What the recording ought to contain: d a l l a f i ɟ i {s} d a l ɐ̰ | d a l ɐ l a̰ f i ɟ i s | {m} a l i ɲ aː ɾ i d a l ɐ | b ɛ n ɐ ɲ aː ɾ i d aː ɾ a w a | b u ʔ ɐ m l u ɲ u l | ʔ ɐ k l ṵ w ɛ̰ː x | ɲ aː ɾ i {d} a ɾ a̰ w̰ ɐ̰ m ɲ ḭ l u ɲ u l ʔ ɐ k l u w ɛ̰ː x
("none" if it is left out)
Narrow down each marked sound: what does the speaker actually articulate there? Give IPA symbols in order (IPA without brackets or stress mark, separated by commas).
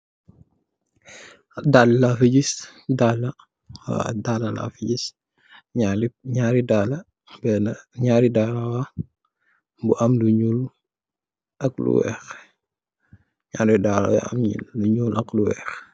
s, ɲ, d